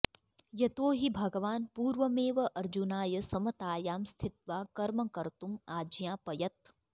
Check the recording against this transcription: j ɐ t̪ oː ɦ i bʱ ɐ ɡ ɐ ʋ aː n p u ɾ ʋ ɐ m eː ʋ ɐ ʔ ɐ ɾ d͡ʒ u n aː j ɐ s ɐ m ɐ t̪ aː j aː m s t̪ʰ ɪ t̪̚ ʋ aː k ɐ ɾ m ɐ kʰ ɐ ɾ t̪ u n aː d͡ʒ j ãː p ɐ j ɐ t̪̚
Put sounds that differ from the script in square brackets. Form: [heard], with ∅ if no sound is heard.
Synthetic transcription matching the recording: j ɐ t̪ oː ɦ i bʱ ɐ ɡ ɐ ʋ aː n p [uː] ɾ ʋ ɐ m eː ʋ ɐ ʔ ɐ ɾ d͡ʒ u n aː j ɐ s ɐ m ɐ t̪ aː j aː m s t̪ʰ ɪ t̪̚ ʋ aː k ɐ ɾ m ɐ [k] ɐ ɾ t̪ u [m] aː d͡ʒ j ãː p ɐ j ɐ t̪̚